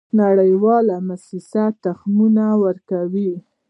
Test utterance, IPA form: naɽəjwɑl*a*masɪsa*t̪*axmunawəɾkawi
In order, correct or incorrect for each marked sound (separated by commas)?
correct, correct